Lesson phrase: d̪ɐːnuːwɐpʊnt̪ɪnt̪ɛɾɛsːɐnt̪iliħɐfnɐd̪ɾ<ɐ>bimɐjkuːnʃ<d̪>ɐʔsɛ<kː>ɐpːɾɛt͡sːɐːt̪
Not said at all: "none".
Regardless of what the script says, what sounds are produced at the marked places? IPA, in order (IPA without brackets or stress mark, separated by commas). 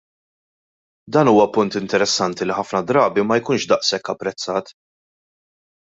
ɐː, d̪, kː